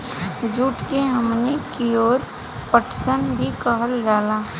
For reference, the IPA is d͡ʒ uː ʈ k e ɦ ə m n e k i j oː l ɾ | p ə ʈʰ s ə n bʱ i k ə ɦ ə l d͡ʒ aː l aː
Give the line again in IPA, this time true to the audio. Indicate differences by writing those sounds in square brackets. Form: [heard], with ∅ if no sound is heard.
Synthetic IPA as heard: d͡ʒ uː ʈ k e ɦ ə m n e k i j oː [∅] ɾ | p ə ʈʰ s ə n bʱ i k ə ɦ ə l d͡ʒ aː l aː